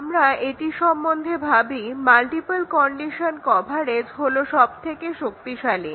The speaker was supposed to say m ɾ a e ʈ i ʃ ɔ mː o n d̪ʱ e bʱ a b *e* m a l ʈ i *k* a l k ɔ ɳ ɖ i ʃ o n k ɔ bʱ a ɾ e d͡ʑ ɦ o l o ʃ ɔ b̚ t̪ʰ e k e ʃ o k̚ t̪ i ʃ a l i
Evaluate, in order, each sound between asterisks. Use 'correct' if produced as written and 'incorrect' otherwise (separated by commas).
incorrect, incorrect